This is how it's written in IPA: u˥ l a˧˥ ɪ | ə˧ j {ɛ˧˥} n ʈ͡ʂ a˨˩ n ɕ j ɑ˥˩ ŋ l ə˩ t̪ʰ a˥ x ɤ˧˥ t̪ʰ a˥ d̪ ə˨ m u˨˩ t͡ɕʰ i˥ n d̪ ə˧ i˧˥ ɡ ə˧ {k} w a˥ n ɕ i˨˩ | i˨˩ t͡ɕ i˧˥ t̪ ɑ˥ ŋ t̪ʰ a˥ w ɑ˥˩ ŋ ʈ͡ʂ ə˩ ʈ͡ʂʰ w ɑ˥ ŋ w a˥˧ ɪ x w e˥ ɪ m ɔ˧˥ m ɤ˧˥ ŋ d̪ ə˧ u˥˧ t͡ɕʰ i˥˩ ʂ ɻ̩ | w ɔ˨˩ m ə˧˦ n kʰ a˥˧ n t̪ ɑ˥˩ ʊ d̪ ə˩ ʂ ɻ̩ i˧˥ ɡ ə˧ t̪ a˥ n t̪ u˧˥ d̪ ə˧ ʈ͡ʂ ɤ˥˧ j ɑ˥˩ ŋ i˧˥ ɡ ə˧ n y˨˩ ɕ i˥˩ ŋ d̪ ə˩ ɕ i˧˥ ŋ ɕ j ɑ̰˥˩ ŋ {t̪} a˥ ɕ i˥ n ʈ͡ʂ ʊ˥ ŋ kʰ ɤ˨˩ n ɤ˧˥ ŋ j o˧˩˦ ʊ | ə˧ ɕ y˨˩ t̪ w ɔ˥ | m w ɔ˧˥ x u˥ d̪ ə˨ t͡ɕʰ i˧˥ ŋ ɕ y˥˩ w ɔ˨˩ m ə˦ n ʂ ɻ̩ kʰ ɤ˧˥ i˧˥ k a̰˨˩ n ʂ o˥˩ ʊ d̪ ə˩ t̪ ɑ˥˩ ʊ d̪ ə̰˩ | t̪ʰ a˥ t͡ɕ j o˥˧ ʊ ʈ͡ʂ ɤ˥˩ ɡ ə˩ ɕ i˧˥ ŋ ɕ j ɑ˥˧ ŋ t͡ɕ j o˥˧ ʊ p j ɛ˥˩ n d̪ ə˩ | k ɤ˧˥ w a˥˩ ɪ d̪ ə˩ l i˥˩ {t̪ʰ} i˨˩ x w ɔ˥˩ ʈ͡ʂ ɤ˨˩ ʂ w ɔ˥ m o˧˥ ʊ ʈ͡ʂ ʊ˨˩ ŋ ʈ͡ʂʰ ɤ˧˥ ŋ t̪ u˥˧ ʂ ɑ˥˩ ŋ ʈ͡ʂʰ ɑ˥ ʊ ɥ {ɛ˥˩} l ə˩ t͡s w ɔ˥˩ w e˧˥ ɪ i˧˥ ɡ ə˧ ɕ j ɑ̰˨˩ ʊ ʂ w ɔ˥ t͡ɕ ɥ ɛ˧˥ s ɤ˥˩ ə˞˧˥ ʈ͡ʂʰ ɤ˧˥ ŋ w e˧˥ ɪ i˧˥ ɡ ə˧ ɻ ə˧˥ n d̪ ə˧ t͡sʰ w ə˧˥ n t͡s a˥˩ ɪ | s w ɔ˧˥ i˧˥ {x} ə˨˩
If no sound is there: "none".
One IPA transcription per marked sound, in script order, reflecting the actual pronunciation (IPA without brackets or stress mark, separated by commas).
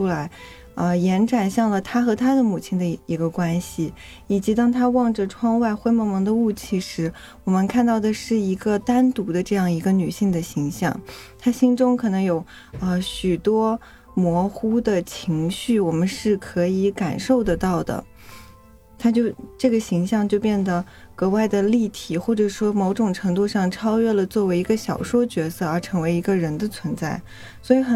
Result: ɛ˧˥, k, t̪ʰ, t̪ʰ, ɛ˥˩, x